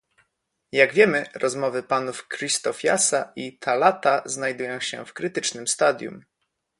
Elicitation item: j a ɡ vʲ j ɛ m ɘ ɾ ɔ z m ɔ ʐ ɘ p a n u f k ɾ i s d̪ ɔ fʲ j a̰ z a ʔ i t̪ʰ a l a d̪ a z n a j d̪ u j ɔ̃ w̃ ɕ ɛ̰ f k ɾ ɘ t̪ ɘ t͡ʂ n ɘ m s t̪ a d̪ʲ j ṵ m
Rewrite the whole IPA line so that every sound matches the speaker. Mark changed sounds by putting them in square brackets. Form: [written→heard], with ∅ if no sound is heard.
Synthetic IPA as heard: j a ɡ vʲ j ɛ m ɘ ɾ ɔ z m ɔ [ʐ→v] ɘ p a n u f k ɾ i s [d̪→t̪] ɔ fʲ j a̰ [z→s] a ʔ i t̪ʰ a l a [d̪→t̪] a z n a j d̪ u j ɔ̃ w̃ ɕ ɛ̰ f k ɾ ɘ t̪ ɘ t͡ʂ n ɘ m s t̪ a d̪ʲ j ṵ m